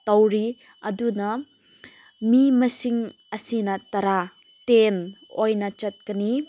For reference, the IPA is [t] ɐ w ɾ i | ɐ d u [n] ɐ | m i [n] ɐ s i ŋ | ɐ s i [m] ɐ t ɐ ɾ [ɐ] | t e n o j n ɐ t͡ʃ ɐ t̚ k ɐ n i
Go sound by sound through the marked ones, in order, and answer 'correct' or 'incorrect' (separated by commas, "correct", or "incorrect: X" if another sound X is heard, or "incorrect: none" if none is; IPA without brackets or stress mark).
correct, correct, incorrect: m, incorrect: n, incorrect: a